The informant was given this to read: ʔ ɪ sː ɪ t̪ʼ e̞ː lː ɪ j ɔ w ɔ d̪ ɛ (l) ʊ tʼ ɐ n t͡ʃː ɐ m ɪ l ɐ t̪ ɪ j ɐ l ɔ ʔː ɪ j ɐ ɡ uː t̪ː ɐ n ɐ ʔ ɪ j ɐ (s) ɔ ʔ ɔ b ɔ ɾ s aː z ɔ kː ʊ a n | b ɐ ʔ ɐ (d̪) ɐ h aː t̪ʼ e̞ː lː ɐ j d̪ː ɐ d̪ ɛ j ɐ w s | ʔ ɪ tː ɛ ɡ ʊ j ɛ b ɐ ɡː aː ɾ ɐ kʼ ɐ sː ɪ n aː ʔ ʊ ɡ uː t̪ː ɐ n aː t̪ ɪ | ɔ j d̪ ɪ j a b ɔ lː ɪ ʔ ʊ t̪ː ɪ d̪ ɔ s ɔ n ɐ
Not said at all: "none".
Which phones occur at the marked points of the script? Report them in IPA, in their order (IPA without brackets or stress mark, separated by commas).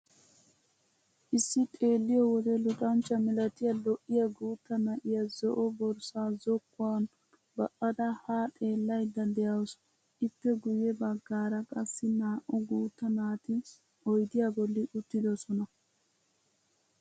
l, z, d̪